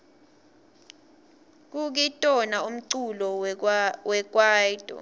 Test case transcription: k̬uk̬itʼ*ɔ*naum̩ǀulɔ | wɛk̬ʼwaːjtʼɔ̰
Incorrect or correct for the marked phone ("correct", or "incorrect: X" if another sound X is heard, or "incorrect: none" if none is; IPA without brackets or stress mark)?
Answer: correct